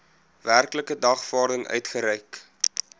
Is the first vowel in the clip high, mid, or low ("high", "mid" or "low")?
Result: low